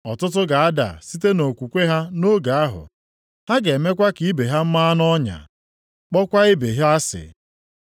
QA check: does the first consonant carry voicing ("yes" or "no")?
no